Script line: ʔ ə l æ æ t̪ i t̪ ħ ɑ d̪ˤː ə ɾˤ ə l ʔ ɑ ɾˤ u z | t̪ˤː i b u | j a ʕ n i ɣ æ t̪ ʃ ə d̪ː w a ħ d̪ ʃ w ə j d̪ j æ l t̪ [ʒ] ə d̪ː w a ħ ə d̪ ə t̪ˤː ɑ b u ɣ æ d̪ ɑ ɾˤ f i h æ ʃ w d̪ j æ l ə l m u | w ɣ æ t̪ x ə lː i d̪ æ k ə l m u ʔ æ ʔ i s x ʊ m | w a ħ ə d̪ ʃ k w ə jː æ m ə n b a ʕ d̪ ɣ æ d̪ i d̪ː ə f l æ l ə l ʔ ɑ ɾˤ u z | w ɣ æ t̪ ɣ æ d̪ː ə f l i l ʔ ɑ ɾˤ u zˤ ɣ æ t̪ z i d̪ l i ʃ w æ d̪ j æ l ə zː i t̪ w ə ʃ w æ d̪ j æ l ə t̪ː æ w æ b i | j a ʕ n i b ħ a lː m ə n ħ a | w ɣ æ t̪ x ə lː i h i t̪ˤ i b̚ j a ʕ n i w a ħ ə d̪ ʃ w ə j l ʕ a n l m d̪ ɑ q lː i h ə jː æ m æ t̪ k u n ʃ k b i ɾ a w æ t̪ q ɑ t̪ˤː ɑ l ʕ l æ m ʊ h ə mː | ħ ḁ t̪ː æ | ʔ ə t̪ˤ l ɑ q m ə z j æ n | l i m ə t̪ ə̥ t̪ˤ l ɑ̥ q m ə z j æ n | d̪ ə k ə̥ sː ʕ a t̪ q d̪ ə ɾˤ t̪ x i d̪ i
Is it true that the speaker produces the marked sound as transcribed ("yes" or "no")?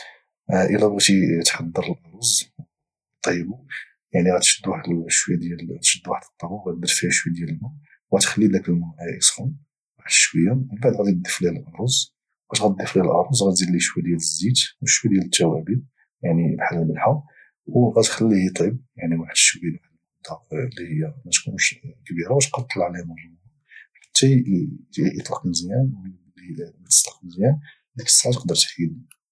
no